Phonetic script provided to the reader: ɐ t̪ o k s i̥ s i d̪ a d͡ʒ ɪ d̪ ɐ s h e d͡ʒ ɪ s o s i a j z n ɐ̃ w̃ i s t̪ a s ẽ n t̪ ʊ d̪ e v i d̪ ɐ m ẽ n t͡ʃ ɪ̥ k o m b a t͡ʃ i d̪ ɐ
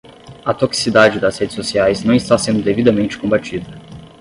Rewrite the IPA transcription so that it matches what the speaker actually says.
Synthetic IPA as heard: ɐ t̪ o k s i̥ s i d̪ a d͡ʒ ɪ d̪ ɐ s h e d͡ʒ ɪ s o s i a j z n ɐ̃ w̃ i s t̪ a s ẽ n d̪ ʊ d̪ e v i d̪ ɐ m ẽ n t͡ʃ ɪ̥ k õ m b a t͡ʃ i d̪ ɐ